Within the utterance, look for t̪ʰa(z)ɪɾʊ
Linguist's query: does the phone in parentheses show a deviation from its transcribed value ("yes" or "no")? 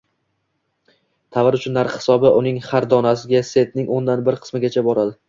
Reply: yes